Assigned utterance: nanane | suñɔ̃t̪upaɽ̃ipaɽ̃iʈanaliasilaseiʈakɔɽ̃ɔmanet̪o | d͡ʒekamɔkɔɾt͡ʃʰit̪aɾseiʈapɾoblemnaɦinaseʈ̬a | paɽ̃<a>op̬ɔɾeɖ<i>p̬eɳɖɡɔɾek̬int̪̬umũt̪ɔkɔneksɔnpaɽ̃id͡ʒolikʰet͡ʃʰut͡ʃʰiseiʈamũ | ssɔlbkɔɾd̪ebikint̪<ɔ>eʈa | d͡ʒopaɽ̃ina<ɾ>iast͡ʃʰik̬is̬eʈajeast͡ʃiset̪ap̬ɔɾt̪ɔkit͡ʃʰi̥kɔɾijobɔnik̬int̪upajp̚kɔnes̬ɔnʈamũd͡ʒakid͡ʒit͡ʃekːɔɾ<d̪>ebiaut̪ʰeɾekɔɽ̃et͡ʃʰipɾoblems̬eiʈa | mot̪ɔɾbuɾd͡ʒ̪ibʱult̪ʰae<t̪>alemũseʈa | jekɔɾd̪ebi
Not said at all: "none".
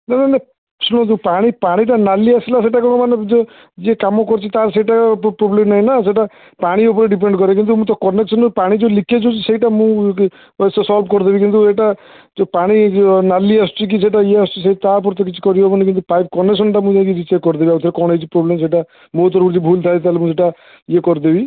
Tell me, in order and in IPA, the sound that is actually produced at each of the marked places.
i, i, u, l, d̪, t̪

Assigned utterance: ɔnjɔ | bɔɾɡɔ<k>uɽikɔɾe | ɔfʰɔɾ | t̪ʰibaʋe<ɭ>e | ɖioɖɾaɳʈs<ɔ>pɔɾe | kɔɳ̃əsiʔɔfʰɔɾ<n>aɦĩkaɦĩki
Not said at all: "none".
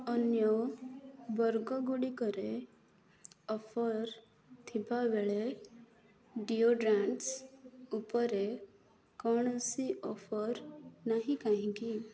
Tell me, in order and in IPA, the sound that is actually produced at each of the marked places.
ɡ, ɭ, u, n

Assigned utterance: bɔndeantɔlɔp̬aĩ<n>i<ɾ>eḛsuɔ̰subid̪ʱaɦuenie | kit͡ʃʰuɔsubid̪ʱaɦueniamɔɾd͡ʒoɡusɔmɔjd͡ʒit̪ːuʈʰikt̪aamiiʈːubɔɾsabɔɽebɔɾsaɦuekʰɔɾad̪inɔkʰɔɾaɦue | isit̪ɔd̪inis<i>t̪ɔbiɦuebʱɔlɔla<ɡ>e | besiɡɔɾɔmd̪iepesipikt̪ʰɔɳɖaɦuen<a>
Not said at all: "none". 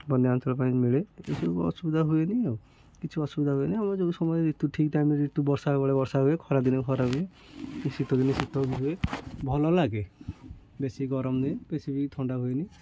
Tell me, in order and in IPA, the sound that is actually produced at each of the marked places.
m, ɭ, i, ɡ, i

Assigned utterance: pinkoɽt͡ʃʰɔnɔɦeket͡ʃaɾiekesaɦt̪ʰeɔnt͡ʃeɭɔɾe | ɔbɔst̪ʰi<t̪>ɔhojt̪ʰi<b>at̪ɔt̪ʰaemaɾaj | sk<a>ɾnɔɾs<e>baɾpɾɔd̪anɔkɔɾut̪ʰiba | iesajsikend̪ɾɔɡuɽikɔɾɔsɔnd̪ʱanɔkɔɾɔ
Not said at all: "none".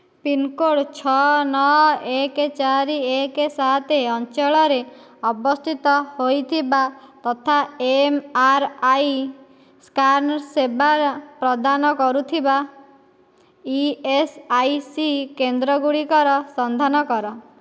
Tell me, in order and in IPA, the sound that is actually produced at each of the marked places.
t̪, b, a, e

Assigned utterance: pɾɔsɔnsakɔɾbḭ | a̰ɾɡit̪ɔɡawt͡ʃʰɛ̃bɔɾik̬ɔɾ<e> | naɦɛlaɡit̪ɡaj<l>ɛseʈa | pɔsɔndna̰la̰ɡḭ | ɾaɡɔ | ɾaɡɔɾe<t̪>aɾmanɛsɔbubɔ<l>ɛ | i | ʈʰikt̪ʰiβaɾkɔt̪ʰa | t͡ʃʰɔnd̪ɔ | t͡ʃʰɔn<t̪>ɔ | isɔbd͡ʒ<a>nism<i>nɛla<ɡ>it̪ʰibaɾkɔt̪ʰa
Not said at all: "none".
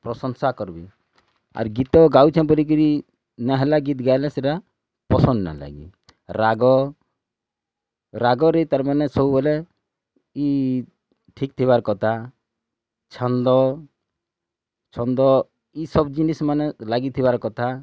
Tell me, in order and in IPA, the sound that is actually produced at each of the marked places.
i, l, t̪, l, d̪, i, a, ɡ

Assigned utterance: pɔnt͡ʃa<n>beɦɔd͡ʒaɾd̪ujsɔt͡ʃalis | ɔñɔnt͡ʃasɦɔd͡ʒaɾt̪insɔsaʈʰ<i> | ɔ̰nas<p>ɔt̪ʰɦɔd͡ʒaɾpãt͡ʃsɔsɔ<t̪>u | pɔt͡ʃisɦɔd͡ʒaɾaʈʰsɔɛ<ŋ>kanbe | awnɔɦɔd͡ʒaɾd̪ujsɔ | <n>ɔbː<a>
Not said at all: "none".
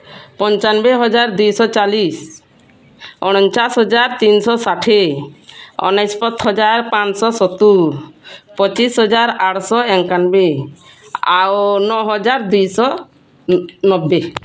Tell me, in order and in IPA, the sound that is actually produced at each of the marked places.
n, e, p, t̪, ŋ, n, e

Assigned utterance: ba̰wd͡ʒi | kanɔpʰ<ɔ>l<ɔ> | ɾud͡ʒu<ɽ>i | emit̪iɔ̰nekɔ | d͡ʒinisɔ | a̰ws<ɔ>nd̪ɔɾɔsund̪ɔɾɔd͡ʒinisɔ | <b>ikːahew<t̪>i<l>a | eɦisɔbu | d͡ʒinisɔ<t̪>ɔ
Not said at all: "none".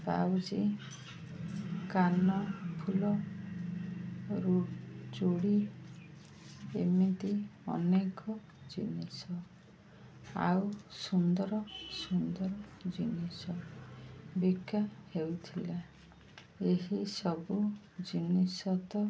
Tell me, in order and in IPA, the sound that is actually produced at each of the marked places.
u, ɔ, ɽ, u, b, t̪ʰ, l, t̪

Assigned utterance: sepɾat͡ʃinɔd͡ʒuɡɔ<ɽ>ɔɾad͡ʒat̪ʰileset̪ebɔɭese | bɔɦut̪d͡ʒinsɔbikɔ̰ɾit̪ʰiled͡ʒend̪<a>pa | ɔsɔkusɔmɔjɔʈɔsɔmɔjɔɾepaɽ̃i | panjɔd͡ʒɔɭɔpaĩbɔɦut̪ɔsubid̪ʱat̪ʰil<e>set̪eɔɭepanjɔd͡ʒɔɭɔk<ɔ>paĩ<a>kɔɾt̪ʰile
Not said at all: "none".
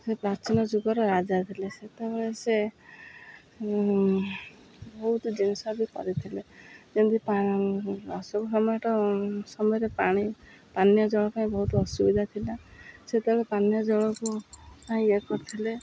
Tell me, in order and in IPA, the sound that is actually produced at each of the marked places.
ɾ, i, a, u, e

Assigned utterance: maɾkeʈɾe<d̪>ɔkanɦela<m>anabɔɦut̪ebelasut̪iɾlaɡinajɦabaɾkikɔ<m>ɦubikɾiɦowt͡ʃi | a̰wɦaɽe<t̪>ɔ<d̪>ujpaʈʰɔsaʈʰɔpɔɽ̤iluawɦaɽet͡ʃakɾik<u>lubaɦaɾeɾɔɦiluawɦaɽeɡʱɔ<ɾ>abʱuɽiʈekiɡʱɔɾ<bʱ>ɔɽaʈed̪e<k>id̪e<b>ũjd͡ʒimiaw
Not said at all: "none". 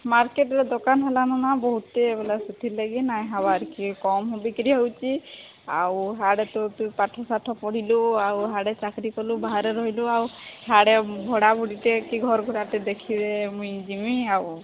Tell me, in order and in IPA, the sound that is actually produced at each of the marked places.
d̪, n, m, t̪, t̪, ɔ, ɽ, ɡʱ, kʰ, m

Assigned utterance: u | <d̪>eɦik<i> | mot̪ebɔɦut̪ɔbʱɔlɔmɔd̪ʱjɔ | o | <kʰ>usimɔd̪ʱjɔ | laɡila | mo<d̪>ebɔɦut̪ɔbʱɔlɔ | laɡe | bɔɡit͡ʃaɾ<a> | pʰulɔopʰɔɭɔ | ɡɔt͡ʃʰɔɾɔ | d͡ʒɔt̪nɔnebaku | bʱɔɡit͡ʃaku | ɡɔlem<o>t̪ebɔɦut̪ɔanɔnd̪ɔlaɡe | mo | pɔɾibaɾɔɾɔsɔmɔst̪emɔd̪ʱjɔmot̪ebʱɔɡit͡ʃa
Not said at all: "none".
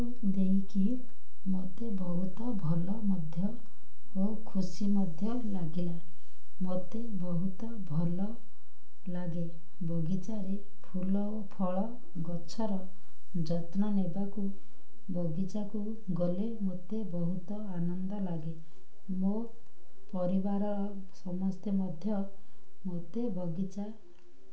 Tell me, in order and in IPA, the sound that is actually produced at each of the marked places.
d̪, i, kʰ, t̪, e, o

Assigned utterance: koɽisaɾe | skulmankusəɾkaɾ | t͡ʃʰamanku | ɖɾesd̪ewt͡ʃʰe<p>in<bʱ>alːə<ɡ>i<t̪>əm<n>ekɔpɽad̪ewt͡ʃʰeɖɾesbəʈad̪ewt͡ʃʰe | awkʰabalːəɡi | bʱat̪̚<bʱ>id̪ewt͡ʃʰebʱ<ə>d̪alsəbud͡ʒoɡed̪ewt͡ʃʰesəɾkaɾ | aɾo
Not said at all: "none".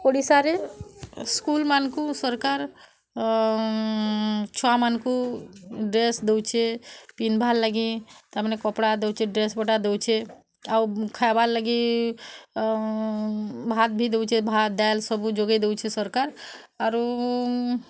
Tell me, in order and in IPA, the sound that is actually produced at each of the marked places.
p, bʱ, ɡ, t̪, n, bʱ, a

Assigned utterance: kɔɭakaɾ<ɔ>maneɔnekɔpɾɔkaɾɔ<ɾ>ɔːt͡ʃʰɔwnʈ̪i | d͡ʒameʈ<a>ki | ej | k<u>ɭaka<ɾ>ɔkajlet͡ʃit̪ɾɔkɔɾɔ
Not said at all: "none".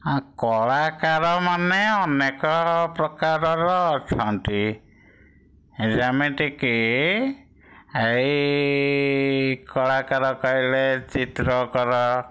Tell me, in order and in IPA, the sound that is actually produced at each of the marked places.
ɔ, ɾ, i, ɔ, ɾ

